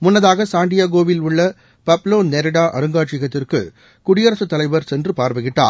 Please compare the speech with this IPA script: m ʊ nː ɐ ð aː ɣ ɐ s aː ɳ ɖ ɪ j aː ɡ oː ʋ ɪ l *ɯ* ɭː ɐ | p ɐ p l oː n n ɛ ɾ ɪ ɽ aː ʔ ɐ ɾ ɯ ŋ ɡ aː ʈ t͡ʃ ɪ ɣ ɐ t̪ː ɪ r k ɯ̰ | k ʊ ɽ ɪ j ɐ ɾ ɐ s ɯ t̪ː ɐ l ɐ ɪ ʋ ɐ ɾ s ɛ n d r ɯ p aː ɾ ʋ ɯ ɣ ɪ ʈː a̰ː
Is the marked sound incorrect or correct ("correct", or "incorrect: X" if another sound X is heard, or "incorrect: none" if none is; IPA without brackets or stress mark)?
incorrect: ʊ